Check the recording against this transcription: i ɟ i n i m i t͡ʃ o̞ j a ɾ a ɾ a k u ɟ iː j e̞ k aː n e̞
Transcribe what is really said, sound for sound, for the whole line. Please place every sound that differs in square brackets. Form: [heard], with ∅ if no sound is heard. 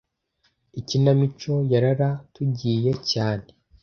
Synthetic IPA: i [c] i n [a] m i t͡ʃ o̞ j a ɾ a ɾ a [t] u ɟ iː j e̞ [c] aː n e̞